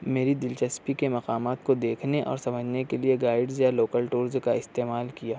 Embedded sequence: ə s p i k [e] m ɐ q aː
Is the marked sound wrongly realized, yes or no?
no